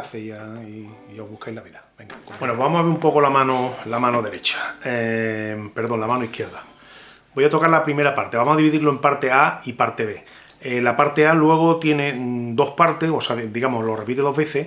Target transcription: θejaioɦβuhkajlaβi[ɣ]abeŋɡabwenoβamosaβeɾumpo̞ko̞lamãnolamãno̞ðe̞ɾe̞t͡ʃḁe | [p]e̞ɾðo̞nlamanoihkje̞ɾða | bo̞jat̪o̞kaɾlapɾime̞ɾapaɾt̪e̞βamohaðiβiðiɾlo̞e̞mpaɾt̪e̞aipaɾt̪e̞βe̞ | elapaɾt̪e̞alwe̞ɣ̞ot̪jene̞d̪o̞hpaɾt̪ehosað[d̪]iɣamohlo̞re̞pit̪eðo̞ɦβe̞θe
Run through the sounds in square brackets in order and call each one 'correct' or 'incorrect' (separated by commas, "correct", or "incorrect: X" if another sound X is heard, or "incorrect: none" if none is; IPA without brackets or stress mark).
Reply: incorrect: ð, correct, correct